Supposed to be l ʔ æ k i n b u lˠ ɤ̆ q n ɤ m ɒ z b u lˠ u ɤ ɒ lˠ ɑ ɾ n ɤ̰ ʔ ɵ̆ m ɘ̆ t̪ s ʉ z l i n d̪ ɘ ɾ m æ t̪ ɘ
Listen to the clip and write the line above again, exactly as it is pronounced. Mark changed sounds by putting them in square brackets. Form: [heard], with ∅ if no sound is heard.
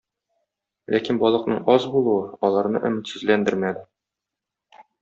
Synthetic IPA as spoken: l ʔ æ k i n b [ɒ] lˠ ɤ̆ q n ɤ [ɴ] ɒ z b u lˠ u ɤ ɒ lˠ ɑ ɾ n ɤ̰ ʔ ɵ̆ m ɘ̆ t̪ s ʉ z l [æ] n d̪ ɘ ɾ m æ [d̪] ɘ

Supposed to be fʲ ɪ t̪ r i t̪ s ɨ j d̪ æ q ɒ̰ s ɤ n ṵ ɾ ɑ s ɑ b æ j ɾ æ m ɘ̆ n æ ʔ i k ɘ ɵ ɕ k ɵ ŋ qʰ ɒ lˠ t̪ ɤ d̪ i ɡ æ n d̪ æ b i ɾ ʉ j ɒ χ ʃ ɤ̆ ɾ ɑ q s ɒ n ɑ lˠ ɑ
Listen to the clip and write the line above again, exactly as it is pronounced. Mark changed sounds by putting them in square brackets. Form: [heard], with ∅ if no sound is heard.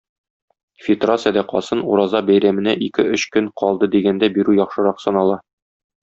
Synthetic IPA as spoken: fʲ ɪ t̪ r [a] t̪ s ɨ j d̪ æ q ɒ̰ s ɤ n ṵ ɾ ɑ [z] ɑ b æ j ɾ æ m ɘ̆ n æ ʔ i k ɘ ɵ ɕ k ɵ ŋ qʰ ɒ lˠ [d̪] ɤ d̪ i ɡ æ n d̪ æ b i ɾ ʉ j ɒ χ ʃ ɤ̆ ɾ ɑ q s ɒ n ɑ lˠ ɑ

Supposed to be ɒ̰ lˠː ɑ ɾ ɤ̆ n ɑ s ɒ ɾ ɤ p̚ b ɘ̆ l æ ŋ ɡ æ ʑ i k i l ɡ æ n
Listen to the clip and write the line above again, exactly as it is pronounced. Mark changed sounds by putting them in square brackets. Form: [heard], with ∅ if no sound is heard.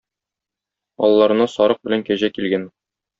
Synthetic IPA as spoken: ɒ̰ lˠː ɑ ɾ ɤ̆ n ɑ s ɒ ɾ ɤ [q̚] b ɘ̆ l æ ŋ [k] æ ʑ [æ] k i l ɡ æ n

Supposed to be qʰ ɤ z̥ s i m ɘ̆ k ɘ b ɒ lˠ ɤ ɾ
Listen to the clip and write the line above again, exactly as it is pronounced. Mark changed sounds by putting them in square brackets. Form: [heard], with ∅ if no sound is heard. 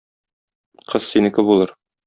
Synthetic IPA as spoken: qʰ ɤ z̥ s i [n] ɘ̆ k ɘ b [u] lˠ ɤ ɾ

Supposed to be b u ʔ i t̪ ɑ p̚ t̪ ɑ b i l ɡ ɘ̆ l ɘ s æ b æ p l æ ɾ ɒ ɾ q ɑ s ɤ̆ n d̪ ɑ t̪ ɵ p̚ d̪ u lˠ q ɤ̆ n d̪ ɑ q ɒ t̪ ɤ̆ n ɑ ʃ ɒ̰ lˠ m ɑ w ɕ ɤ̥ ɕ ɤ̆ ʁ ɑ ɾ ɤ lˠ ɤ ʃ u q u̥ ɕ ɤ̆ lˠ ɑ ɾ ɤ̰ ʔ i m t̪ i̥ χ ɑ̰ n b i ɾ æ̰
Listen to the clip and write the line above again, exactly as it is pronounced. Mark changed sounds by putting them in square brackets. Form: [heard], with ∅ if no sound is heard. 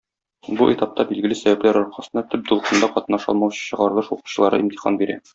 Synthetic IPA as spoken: b u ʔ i t̪ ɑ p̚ t̪ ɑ b i l ɡ ɘ̆ l ɘ s æ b æ p l æ ɾ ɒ ɾ q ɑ s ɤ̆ n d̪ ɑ t̪ ɵ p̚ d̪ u lˠ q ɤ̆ n d̪ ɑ q ɒ t̪ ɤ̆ n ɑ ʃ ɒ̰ lˠ m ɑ w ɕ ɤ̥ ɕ ɤ̆ ʁ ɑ ɾ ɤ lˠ ɤ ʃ u q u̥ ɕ ɤ̆ lˠ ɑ ɾ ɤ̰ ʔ i m t̪ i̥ χ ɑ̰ n b i ɾ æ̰

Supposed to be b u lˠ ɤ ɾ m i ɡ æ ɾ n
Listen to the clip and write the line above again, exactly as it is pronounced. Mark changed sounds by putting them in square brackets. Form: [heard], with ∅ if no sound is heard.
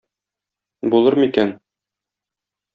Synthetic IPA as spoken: b u lˠ ɤ ɾ m i [k] æ [∅] n

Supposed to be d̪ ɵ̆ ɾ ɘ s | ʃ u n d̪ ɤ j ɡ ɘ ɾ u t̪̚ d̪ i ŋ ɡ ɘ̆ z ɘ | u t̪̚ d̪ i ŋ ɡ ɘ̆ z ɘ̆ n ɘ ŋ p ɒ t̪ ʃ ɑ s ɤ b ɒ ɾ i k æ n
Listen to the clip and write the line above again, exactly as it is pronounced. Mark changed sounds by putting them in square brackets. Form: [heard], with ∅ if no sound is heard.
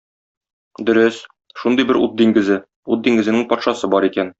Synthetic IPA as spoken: d̪ ɵ̆ ɾ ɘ s | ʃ u n d̪ ɤ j [b] ɘ ɾ u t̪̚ d̪ i ŋ ɡ ɘ̆ z ɘ | u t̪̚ d̪ i ŋ ɡ ɘ̆ z ɘ̆ n ɘ ŋ p ɒ t̪ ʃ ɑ s ɤ b ɒ ɾ i k æ n

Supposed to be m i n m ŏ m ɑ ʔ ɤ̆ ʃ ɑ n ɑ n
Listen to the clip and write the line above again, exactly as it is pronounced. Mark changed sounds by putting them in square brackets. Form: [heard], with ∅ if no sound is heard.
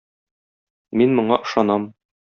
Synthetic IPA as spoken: m i n m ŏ [ɴ] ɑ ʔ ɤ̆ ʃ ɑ n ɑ [m]

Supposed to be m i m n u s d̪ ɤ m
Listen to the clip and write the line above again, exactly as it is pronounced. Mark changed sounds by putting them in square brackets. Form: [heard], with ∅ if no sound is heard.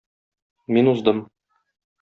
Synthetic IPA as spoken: m i [∅] n u [z] d̪ ɤ m

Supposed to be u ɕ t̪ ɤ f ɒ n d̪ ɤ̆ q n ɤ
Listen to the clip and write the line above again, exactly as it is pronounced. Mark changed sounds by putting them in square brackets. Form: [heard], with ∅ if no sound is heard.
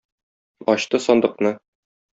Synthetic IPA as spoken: [ɒ] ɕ t̪ ɤ [s] ɒ n d̪ ɤ̆ q n ɤ

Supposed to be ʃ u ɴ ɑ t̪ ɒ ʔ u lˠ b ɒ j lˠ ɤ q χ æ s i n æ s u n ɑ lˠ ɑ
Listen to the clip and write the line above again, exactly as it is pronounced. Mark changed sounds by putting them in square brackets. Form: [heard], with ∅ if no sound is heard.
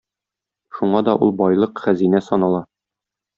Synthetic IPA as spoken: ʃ u ɴ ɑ [d̪] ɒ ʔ u lˠ b ɒ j lˠ ɤ q χ æ [z] i n æ s [ɒ] n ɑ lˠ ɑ

